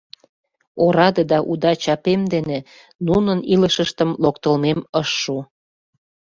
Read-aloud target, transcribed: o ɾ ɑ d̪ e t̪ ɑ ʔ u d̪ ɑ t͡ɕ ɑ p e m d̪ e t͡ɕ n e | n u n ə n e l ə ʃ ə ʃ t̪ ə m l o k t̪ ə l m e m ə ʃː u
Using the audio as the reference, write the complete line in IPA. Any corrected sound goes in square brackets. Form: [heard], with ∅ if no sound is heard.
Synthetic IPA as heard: o ɾ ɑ d̪ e [d̪] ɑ ʔ u d̪ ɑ t͡ɕ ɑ p e m d̪ e [∅] n e | n u n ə n [i] l ə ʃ ə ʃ t̪ ə m l o k t̪ ə l m e m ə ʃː u